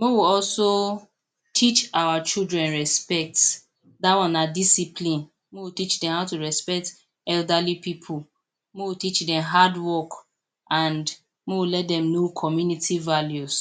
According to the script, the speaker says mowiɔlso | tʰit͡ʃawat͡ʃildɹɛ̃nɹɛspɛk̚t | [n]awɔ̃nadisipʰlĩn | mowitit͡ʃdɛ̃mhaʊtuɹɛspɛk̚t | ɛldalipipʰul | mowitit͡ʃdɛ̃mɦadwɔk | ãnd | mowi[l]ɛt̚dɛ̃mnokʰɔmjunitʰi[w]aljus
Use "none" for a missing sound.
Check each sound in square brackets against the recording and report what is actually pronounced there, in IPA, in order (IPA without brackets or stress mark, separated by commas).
d, l, v